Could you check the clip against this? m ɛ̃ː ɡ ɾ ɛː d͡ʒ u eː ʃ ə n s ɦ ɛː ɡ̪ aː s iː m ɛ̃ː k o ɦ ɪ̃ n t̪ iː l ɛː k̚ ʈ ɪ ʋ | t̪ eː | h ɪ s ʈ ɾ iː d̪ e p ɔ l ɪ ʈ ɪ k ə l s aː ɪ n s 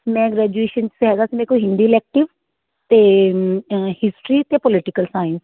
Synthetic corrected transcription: m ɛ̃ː ɡ ɾ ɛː d͡ʒ u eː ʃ ə n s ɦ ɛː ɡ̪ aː s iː m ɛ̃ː k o ɦ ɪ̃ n d̪ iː l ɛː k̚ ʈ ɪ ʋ | t̪ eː | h ɪ s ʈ ɾ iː t̪ e p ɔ l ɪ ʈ ɪ k ə l s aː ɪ n s

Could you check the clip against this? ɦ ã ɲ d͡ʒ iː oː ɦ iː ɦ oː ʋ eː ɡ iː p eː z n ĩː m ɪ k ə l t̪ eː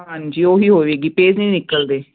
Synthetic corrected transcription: ɦ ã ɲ d͡ʒ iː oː ɦ iː ɦ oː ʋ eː ɡ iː p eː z n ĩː n ɪ k ə l d̪ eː

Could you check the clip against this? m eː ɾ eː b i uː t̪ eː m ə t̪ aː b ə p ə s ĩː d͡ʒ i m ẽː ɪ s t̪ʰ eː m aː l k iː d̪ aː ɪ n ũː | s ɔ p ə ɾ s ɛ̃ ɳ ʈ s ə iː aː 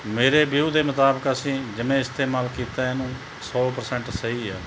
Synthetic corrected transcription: m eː ɾ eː b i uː d̪ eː m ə t̪ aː b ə k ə s ĩː d͡ʒ ɪ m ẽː ɪ s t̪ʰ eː m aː l k iː t̪ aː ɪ n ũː | s ɔː p ə ɾ s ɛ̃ ɳ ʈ s ə iː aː

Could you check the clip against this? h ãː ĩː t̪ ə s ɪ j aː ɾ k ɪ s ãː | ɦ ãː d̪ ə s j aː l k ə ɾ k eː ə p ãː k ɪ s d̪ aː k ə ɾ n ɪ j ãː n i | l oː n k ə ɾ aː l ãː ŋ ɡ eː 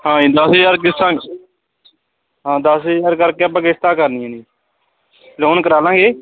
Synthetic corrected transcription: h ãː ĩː d̪ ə s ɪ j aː ɾ k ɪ s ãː | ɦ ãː d̪ ə s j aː ɾ k ə ɾ k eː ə p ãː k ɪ s t̪ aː k ə ɾ n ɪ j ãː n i | l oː n k ə ɾ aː l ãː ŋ ɡ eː

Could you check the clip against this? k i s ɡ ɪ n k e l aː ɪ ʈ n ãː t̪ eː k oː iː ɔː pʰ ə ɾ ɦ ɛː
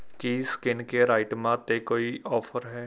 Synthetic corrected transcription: k i s k ɪ n k e ɾ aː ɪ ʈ m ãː t̪ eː k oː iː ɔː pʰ ə ɾ ɦ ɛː

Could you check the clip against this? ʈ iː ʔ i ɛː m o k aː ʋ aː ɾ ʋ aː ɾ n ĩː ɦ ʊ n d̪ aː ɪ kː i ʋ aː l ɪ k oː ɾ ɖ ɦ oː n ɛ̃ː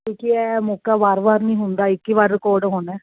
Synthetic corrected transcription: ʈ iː k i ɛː m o k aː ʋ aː ɾ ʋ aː ɾ n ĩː ɦ ʊ n d̪ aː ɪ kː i ʋ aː ɾ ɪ k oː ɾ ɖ ɦ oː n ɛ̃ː

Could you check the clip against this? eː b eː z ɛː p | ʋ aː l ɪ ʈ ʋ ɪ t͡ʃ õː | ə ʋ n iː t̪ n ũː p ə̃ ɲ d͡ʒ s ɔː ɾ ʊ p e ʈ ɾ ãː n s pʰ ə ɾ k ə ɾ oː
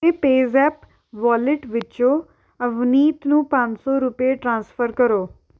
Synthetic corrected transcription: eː p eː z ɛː p | ʋ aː l ɪ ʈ ʋ ɪ t͡ʃ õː | ə ʋ n iː t̪ n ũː p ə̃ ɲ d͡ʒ s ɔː ɾ ʊ p e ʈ ɾ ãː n s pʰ ə ɾ k ə ɾ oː

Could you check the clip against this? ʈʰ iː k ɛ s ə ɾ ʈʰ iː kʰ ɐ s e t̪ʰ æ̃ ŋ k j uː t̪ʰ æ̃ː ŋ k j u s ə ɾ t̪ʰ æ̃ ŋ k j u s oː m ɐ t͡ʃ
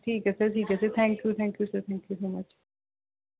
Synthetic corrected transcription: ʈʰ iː k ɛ s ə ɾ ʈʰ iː k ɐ s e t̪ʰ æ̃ ŋ k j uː t̪ʰ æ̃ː ŋ k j u s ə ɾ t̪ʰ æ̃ ŋ k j u s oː m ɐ t͡ʃ

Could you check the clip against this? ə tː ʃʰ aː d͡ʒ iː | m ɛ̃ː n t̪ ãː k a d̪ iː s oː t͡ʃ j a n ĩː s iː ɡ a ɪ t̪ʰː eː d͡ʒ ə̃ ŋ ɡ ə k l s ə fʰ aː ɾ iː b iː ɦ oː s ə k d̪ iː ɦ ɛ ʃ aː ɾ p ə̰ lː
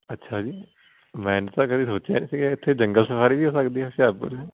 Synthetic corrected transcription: ə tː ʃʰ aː d͡ʒ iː | m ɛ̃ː n t̪ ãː k ə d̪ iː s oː t͡ʃ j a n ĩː s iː ɡ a ɪ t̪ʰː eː d͡ʒ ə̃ ŋ ɡ ə l s ə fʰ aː ɾ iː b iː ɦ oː s ə k d̪ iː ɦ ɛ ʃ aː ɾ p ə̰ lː

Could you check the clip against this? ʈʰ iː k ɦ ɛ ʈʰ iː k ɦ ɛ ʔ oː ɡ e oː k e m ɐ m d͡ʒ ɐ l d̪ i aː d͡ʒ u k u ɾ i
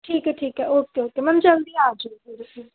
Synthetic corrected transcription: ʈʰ iː k ɦ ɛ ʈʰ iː k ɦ ɛ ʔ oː k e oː k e m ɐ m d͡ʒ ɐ l d̪ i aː d͡ʒ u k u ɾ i

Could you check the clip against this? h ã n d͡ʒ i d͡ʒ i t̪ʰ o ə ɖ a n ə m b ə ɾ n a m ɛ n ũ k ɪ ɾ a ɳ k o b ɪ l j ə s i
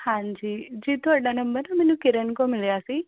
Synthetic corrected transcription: h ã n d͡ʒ i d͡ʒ i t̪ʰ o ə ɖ a n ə m b ə ɾ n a m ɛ n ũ k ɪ ɾ ə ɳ k o m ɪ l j a s i

